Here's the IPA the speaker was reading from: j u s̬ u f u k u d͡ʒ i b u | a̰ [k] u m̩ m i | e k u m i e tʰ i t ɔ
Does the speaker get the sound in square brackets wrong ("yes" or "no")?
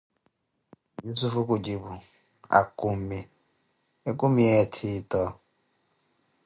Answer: no